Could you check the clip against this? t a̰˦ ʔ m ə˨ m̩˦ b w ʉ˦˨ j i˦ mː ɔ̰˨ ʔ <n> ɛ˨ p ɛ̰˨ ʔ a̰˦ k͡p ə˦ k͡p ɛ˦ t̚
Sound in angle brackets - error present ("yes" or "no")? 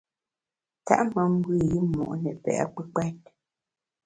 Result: no